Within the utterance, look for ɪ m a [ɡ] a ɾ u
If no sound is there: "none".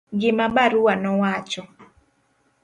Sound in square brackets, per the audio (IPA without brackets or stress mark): b